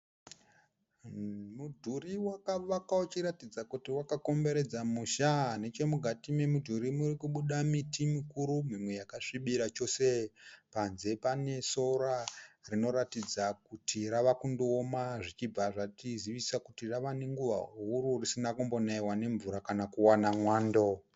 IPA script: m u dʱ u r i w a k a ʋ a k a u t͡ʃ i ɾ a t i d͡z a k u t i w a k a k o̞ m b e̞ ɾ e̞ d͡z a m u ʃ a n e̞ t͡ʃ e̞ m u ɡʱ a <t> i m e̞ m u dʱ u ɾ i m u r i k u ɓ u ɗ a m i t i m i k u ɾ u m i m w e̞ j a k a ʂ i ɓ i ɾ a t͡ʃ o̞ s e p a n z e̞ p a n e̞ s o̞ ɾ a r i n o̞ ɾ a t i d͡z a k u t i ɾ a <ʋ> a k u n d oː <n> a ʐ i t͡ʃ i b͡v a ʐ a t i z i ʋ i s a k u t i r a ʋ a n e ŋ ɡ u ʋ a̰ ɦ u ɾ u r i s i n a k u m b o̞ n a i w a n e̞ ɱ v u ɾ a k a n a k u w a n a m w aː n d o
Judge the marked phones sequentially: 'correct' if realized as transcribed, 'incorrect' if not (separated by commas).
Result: correct, correct, incorrect